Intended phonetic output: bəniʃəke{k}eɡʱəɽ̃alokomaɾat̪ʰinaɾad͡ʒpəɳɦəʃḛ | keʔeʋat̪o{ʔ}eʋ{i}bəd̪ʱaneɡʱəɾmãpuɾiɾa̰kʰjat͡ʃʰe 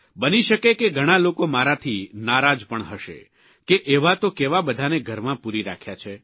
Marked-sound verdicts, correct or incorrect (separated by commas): correct, incorrect, incorrect